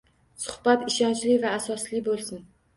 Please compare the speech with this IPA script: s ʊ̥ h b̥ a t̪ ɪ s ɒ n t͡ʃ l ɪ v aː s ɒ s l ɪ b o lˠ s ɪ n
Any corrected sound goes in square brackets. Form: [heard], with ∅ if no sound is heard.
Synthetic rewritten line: s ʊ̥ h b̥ a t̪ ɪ [ʃ] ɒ n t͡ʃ l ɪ v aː s ɒ s l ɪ b o lˠ s ɪ n